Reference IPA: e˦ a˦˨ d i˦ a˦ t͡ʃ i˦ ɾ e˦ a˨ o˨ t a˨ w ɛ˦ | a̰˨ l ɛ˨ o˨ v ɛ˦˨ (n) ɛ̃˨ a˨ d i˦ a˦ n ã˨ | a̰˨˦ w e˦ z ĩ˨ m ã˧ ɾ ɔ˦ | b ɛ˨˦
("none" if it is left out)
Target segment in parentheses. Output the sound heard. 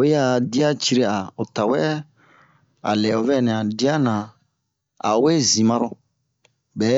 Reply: n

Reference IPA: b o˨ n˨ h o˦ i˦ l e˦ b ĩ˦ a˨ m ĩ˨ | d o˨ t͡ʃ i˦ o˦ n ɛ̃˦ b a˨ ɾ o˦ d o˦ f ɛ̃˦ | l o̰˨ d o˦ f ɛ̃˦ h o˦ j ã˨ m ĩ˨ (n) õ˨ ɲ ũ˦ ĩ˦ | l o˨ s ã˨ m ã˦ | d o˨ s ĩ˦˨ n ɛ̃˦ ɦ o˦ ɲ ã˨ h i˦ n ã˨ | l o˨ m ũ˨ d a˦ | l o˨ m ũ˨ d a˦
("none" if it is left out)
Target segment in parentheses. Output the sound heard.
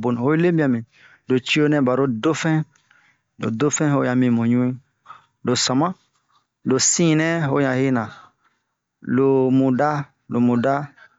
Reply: m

